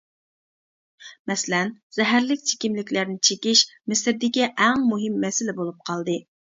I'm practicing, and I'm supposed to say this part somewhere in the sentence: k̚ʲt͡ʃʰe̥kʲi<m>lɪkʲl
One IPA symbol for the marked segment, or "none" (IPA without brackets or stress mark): m